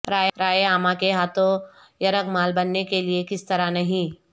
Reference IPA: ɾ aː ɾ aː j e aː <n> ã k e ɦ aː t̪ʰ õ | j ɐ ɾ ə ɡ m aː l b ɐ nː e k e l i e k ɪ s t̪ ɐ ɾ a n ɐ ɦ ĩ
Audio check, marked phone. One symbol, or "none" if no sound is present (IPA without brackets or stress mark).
m